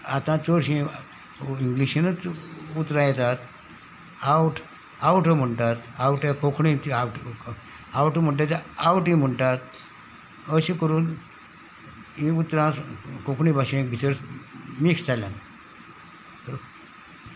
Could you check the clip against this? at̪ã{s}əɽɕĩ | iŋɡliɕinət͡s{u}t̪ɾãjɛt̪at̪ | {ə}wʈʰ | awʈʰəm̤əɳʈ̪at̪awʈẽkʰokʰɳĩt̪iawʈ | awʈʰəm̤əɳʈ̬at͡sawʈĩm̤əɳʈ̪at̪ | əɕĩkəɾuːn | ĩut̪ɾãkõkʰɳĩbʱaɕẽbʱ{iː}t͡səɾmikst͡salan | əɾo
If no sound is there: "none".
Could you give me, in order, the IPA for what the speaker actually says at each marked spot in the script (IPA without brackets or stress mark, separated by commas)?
t͡s, u, a, i